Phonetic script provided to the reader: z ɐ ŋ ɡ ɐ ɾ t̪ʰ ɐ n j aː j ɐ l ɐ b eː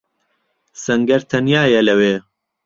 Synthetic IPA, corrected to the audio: s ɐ ŋ ɡ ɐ ɾ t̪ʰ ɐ n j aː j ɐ l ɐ w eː